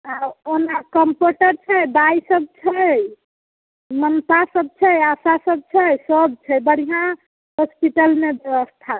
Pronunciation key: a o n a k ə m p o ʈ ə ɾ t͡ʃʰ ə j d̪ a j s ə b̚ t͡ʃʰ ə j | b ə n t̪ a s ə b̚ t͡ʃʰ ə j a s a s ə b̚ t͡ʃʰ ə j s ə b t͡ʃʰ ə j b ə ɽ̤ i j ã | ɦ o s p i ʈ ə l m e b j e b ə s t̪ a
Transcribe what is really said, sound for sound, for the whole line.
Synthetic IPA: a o n a k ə m p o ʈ ə ɾ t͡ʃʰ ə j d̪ a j s ə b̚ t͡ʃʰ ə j | m ə n t̪ a s ə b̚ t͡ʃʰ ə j a s a s ə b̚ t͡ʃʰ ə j s ə b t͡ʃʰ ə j b ə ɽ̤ i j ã | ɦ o s p i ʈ ə l m e b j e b ə s t̪ʰ a